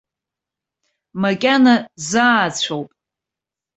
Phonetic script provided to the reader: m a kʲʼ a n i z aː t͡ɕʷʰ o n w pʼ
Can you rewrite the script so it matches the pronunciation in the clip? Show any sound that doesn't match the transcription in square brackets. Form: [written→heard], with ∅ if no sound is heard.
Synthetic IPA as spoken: m a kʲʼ a n [i→a] z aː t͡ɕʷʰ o [n→∅] w pʼ